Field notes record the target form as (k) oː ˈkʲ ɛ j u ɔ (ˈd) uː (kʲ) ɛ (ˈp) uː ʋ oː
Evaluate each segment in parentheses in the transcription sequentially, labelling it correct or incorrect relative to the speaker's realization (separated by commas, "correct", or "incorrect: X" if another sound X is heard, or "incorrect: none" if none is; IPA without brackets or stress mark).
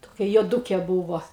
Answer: incorrect: t, correct, correct, incorrect: b